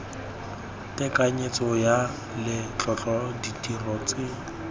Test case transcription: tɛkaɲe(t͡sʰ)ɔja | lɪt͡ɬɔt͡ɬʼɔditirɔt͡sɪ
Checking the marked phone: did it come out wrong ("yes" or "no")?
yes